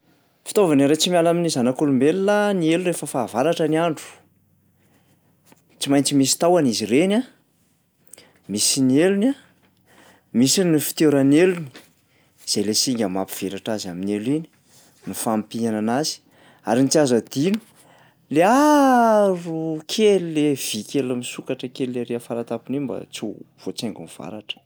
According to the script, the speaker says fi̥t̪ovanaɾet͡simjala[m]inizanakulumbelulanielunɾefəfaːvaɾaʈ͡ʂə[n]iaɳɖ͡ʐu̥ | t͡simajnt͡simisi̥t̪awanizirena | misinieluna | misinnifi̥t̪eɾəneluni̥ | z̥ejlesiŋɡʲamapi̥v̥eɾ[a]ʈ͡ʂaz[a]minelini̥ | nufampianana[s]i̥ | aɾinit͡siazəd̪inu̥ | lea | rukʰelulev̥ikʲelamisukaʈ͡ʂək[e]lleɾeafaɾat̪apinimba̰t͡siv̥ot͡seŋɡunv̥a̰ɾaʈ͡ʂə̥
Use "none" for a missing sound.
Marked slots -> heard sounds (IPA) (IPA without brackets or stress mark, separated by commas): m, n, a, a, z, e